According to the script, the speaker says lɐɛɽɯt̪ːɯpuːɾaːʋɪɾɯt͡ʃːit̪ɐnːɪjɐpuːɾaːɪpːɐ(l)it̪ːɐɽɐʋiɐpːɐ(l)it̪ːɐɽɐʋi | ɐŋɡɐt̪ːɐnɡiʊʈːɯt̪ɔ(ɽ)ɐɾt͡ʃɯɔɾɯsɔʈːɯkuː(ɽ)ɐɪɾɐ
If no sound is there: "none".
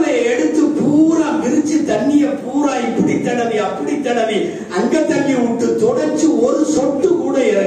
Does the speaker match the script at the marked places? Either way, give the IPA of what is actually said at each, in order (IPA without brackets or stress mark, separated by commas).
ɽ, ɽ, ɽ, ɽ